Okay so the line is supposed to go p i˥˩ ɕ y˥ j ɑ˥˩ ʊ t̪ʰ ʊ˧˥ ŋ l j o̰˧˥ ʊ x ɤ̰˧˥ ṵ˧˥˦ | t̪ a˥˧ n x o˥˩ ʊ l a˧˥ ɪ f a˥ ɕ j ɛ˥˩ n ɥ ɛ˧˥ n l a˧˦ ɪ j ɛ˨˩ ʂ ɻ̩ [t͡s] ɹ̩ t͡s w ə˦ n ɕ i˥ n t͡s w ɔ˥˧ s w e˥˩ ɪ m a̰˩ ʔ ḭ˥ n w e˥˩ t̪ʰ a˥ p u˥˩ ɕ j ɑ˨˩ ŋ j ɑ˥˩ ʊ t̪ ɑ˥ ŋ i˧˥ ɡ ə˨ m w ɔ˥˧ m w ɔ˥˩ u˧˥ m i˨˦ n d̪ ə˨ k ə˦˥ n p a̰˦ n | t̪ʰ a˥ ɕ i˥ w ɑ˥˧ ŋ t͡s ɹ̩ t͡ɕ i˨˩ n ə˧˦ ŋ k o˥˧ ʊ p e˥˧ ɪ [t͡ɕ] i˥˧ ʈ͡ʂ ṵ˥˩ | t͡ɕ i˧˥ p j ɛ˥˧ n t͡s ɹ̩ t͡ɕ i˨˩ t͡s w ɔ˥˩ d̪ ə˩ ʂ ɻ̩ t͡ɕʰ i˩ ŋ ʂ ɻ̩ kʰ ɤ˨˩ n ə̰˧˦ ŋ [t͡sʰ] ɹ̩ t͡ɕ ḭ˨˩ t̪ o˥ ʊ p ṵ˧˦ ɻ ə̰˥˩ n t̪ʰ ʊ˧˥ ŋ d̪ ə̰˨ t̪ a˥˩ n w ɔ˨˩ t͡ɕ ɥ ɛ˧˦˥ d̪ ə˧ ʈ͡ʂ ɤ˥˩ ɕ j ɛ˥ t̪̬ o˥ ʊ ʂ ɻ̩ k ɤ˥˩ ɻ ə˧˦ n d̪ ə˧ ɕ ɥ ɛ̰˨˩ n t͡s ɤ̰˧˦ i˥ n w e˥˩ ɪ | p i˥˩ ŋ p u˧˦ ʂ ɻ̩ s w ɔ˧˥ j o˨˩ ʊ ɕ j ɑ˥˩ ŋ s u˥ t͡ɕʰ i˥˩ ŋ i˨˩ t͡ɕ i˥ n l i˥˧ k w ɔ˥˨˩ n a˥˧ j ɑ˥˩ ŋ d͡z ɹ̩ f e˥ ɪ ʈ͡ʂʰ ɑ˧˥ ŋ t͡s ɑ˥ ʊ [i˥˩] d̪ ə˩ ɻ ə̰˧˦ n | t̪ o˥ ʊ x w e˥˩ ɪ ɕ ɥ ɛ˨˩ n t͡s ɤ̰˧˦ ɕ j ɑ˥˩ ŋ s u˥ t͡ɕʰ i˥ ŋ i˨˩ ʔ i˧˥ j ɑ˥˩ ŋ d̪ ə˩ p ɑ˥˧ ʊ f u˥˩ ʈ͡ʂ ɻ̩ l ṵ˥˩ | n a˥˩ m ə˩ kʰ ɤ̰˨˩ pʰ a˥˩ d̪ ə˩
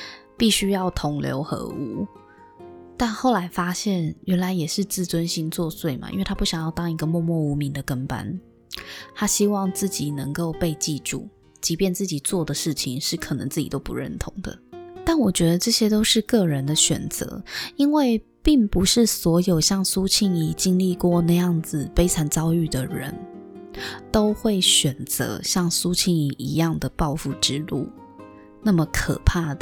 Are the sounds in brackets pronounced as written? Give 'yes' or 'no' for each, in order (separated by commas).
yes, yes, no, no